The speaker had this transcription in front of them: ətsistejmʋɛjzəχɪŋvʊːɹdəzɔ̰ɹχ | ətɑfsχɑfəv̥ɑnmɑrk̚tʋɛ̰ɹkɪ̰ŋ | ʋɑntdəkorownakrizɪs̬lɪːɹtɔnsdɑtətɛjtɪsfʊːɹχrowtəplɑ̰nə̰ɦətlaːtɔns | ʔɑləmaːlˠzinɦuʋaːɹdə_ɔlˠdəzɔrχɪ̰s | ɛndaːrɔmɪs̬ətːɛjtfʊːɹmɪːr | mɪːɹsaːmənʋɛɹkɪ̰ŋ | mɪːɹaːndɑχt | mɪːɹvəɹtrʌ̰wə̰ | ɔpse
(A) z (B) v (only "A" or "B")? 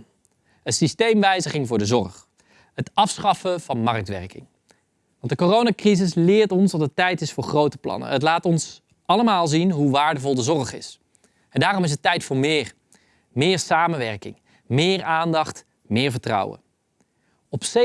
B